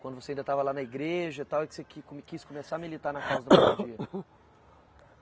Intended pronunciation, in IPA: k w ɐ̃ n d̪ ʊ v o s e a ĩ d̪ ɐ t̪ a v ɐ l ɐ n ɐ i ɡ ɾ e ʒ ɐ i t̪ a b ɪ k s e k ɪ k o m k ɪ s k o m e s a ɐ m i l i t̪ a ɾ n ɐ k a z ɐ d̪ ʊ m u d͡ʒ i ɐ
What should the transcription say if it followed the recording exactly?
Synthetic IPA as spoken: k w ɐ̃ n d̪ ʊ v o s e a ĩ d̪ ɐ t̪ a v ɐ l a n ɐ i ɡ ɾ e ʒ ɐ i t̪ a w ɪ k s e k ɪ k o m k i s k o m e s a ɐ m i l i t̪ a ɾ n ɐ k a z ɐ d̪ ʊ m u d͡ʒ i ɐ